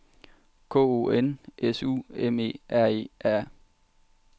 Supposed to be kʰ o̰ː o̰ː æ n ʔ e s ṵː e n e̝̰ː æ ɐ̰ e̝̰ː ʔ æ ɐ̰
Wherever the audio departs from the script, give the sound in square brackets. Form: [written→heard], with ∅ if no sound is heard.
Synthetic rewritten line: kʰ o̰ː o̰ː [æ→e] n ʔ e s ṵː e [n→m] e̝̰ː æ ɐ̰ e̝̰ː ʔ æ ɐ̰